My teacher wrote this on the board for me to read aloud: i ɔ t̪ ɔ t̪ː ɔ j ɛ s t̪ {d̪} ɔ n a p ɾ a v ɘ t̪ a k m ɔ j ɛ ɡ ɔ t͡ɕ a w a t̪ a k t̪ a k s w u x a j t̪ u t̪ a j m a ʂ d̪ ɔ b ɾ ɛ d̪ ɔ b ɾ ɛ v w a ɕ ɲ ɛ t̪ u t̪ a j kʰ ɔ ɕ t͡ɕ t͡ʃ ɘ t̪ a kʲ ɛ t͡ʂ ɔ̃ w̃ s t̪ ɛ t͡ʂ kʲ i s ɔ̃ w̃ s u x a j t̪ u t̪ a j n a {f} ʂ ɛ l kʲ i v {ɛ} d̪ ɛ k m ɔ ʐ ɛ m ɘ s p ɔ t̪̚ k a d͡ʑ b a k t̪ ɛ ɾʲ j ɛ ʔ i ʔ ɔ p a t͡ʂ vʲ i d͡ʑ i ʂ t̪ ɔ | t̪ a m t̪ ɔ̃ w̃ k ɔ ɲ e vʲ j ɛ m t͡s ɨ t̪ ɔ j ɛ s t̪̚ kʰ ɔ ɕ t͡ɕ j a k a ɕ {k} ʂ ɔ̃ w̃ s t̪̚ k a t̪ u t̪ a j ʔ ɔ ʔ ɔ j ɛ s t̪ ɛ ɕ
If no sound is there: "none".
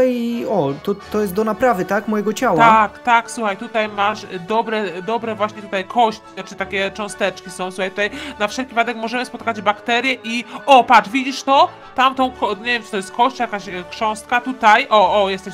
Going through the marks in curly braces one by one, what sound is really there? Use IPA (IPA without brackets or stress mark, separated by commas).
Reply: d̪, f, a, k